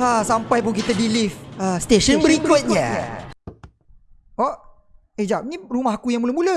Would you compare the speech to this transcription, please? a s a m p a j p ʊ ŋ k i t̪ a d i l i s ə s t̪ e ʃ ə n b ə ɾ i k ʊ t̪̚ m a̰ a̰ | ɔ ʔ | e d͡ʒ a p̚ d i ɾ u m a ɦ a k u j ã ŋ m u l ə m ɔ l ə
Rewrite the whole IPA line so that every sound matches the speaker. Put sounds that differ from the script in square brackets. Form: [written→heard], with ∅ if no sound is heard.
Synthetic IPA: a s a m p a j p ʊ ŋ k i t̪ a d i l i [s→f] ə s t̪ e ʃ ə n b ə ɾ i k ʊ t̪̚ [m→ɲ] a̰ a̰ | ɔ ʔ | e d͡ʒ a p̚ [d→n] i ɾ u m a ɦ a k u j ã ŋ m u l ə m [ɔ→u] l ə